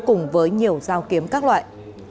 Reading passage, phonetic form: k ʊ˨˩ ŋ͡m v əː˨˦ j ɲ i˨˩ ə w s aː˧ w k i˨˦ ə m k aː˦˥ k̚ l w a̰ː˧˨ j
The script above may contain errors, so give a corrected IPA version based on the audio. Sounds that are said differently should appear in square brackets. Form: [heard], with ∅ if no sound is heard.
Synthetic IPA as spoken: k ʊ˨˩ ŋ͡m v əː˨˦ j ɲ i˨˩ ə w [z] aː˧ w k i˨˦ ə m k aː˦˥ k̚ l w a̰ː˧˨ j